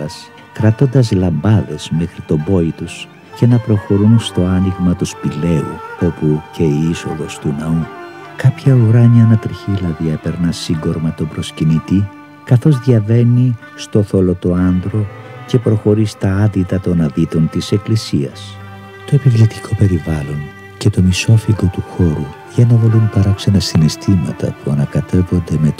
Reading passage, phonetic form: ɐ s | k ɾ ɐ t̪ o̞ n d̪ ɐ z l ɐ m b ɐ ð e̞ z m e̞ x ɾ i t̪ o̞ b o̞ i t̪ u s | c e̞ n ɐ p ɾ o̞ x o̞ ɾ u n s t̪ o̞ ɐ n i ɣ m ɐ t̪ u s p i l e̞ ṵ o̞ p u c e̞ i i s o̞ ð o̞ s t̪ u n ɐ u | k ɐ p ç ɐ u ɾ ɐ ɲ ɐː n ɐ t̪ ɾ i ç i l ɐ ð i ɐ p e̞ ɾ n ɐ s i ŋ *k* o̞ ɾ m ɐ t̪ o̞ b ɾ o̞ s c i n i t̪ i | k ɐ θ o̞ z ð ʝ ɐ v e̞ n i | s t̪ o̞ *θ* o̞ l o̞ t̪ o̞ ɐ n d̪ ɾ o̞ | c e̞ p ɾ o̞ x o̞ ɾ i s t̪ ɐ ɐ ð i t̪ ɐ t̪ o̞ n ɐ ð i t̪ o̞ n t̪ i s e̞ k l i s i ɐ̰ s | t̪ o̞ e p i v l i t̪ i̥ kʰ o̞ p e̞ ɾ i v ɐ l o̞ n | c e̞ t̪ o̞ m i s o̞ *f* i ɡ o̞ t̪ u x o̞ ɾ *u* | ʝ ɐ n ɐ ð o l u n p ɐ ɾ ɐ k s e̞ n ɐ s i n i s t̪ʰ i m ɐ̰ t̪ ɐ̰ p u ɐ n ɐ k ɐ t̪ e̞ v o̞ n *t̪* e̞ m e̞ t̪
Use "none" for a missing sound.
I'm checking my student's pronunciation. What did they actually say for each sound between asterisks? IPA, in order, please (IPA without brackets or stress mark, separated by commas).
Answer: ɡ, θ, f, u, d̪